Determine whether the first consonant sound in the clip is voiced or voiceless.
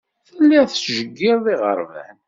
voiceless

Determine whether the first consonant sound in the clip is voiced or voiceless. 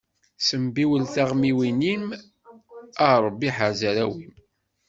voiceless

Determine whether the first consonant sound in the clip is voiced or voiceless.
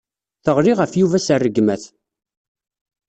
voiceless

